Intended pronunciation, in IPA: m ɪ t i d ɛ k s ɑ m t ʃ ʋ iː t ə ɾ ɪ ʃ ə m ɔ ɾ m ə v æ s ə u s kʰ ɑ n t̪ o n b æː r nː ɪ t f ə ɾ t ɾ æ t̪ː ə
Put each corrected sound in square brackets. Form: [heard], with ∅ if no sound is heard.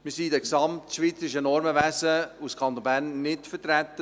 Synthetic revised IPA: m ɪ [s] i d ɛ k s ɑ m t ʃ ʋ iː [t͡s] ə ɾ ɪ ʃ ə [n] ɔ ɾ m ə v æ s ə u s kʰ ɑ n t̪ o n b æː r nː ɪ t f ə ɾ t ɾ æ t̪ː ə